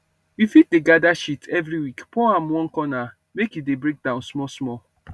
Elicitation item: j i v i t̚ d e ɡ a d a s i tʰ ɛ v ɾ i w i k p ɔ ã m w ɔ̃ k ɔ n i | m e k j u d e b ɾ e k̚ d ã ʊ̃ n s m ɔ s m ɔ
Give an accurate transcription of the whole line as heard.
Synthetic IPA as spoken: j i f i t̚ d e ɡ a d a ʃ i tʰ ɛ v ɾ i w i k p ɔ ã m w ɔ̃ k ɔ n a | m e k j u d e b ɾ e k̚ d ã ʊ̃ n s m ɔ s m ɔ